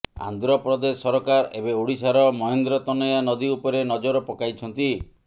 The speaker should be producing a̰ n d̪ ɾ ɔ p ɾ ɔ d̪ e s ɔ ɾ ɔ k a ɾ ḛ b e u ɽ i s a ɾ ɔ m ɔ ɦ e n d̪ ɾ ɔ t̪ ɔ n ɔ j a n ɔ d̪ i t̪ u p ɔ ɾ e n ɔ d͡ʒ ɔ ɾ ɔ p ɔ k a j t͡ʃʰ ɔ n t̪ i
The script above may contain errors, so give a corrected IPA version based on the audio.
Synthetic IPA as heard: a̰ n d̪ ɾ ɔ p ɾ ɔ d̪ e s ɔ ɾ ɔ k a ɾ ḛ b e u ɽ i s a ɾ ɔ m ɔ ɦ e n d̪ ɾ ɔ t̪ ɔ n ɔ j a n ɔ d̪ i u p ɔ ɾ e n ɔ d͡ʒ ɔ ɾ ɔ p ɔ k a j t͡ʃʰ ɔ n t̪ i